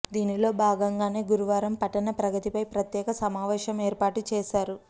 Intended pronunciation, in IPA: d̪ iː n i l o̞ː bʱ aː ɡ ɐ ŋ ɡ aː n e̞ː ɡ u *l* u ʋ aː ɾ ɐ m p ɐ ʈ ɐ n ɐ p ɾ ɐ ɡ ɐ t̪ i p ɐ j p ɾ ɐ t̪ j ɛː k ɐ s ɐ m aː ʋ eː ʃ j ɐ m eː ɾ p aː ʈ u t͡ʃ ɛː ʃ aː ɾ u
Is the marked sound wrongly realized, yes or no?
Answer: yes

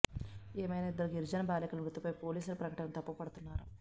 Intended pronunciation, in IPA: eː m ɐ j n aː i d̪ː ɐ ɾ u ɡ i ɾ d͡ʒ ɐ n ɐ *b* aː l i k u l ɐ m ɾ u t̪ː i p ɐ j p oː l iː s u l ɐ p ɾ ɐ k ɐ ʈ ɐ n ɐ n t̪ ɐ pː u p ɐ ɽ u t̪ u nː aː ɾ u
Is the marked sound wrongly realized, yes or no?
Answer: no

